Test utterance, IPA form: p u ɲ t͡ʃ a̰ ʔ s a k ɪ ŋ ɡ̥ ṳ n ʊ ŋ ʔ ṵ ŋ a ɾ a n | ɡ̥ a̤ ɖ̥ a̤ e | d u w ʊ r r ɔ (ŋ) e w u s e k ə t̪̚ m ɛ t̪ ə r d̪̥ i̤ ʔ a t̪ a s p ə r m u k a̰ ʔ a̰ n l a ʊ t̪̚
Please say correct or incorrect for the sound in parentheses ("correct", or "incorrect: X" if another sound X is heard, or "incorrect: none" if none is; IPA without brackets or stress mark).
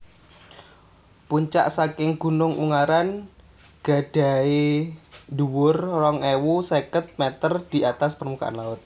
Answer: correct